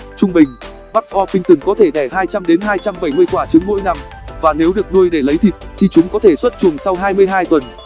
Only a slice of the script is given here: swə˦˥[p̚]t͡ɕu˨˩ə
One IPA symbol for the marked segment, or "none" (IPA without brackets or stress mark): t̚